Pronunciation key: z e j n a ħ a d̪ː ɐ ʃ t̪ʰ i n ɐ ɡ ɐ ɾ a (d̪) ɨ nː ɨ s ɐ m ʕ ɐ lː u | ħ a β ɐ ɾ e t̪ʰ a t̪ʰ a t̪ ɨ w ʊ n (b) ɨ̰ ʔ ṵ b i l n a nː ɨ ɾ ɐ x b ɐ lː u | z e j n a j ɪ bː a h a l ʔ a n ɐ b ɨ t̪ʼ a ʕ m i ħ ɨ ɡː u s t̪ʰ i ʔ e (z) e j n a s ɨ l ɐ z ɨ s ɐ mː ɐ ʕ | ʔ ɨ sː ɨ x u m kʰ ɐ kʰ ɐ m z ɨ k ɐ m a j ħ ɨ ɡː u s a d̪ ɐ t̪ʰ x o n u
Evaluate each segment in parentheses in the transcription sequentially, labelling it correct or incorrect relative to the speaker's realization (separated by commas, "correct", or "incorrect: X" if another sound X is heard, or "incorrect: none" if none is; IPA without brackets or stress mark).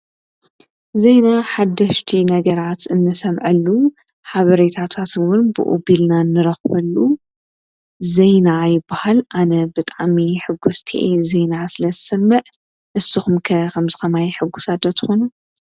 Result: incorrect: t̪, correct, correct